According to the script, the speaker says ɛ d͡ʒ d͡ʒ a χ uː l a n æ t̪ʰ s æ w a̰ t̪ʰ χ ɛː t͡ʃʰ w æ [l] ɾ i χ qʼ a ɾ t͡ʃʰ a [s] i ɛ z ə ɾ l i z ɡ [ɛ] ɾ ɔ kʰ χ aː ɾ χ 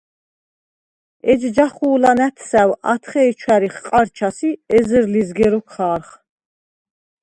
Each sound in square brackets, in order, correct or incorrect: incorrect: none, correct, correct

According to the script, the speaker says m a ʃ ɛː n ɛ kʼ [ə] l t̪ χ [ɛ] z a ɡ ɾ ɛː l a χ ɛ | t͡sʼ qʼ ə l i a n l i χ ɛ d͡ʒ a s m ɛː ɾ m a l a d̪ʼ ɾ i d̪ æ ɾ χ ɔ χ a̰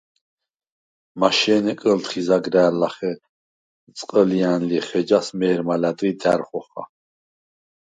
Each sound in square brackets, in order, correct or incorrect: correct, incorrect: i

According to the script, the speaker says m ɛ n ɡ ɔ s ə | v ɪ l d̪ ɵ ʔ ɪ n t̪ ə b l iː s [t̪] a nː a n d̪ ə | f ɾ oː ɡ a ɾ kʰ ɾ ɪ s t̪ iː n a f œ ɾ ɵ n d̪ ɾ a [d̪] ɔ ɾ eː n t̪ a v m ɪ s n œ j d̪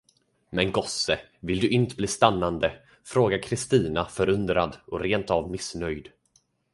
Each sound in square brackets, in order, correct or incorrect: correct, correct

